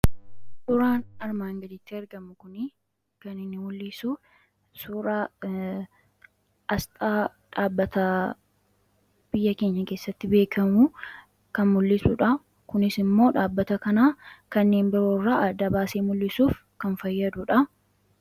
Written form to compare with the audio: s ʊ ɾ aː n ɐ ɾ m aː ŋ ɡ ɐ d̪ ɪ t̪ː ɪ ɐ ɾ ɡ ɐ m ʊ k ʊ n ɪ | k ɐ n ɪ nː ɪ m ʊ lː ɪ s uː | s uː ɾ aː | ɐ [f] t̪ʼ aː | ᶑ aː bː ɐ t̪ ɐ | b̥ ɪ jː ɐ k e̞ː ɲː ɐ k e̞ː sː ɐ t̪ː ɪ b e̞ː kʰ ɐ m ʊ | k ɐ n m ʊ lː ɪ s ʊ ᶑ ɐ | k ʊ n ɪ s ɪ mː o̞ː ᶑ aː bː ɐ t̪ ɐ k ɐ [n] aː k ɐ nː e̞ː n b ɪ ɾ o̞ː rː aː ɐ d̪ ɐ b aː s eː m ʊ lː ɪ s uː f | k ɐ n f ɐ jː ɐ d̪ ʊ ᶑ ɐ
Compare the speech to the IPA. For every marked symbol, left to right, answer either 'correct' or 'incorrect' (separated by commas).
incorrect, correct